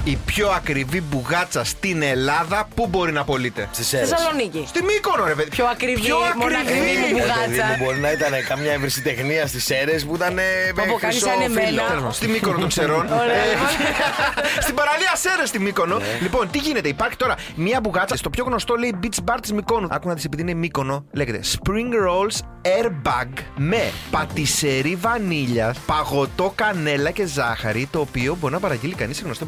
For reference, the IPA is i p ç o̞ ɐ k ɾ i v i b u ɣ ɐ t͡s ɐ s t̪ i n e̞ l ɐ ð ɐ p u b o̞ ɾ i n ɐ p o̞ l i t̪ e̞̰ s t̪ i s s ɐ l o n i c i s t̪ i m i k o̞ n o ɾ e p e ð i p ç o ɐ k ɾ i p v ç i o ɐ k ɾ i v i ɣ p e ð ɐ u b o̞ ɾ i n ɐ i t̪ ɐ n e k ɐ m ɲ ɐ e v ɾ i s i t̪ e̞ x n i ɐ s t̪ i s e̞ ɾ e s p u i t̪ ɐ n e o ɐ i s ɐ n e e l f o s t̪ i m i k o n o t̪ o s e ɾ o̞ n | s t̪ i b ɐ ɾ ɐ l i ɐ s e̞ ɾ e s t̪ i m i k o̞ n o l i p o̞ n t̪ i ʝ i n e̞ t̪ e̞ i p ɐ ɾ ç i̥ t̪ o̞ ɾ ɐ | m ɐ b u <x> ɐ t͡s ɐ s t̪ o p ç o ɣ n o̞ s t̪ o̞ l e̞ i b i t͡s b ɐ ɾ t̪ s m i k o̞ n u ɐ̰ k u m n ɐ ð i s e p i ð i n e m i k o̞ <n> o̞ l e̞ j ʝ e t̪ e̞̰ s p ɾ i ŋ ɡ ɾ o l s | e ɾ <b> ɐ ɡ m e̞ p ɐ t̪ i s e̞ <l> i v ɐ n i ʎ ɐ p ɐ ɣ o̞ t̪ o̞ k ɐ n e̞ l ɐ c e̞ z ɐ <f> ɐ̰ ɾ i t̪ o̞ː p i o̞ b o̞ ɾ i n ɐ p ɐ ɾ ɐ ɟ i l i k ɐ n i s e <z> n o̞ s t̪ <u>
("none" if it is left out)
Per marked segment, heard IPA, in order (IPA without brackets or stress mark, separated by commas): ɣ, n, b, ɾ, x, ɣ, o